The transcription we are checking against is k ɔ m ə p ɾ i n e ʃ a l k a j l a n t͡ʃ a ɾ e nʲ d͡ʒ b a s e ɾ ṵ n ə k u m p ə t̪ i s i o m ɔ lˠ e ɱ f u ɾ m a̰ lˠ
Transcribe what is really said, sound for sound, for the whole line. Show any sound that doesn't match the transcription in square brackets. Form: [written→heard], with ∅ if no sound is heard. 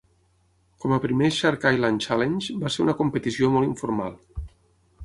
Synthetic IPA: k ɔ m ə p ɾ i [n→m] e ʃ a [l→ɾ] k a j l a n t͡ʃ a [ɾ→l] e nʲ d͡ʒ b a s e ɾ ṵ n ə k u m p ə t̪ i s i o m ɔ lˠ [e→i] ɱ f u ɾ m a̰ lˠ